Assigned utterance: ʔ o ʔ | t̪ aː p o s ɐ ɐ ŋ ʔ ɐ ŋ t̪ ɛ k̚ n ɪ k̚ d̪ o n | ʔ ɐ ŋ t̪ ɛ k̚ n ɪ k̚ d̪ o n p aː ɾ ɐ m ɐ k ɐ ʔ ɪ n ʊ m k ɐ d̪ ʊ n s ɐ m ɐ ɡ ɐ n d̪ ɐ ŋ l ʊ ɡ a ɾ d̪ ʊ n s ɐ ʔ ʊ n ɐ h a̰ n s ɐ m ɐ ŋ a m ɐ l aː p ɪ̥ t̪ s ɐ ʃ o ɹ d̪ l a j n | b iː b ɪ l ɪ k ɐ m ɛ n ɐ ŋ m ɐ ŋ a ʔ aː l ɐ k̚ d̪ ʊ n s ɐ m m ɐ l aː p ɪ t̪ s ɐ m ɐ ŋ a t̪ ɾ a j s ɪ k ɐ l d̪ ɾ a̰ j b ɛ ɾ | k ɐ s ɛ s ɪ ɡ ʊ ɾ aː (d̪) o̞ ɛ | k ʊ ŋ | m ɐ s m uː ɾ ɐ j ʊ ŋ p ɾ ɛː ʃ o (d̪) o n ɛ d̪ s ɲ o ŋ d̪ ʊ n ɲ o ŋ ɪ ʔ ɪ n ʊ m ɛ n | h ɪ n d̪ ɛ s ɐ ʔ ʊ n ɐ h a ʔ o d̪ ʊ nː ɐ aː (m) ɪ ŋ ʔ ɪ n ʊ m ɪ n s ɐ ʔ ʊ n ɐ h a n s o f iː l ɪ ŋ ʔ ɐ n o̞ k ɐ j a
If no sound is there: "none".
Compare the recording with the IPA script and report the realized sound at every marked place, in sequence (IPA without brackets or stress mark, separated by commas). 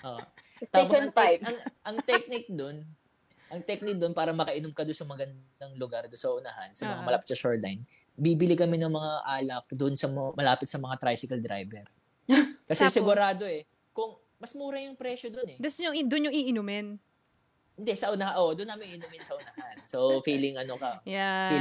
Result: d̪, d̪, m